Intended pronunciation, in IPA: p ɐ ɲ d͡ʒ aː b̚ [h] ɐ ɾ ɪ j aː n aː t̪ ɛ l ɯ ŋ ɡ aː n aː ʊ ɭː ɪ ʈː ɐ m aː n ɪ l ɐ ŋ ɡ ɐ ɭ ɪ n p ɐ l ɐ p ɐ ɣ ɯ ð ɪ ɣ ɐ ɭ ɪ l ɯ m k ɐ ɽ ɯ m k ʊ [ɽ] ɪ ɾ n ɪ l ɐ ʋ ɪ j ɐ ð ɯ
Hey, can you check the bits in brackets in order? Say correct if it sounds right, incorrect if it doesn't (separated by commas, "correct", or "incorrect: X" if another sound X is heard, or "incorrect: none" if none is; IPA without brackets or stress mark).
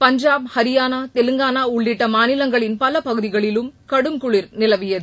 correct, incorrect: ɭ